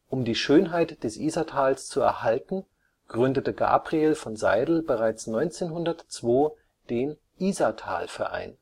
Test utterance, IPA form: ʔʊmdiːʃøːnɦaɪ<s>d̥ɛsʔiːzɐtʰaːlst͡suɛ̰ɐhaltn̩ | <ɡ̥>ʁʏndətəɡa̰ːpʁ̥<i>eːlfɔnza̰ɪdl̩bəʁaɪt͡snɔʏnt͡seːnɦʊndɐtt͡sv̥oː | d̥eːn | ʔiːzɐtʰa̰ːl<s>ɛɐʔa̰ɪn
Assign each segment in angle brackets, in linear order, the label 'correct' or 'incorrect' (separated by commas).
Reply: incorrect, correct, correct, incorrect